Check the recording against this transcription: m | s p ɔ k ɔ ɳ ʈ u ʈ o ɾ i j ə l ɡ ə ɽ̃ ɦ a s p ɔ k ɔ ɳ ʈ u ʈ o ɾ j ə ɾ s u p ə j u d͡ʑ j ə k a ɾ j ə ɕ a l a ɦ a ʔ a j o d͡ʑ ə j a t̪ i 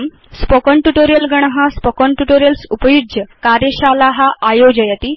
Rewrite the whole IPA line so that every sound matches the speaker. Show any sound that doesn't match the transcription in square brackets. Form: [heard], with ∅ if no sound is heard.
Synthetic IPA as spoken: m | s p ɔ k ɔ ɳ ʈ u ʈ o ɾ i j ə l ɡ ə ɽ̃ ɦ a s p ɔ k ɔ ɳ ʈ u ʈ o ɾ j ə [l] s u p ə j u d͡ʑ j ə k a ɾ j ə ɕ a l a ɦ a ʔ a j o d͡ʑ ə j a t̪ i